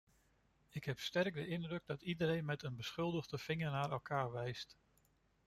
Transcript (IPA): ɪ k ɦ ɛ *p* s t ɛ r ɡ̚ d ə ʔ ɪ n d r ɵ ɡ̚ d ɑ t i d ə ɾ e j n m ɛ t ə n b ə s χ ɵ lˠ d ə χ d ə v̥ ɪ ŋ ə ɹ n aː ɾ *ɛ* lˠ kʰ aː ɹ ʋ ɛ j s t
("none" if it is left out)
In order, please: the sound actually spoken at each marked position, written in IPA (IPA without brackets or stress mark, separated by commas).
p, ɛ